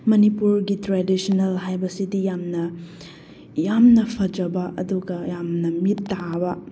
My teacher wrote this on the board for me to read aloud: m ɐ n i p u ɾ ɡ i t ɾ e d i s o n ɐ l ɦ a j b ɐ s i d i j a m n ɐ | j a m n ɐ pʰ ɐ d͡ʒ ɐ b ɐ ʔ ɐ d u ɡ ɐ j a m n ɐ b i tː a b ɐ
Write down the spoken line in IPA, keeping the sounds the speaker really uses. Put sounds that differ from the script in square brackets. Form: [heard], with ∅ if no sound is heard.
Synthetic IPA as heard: m ɐ n i p u ɾ ɡ i t ɾ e d i s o n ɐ l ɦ a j b ɐ s i d i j a m n ɐ | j a m n ɐ pʰ ɐ d͡ʒ ɐ b ɐ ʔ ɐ d u ɡ ɐ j a m n ɐ [m] i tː a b ɐ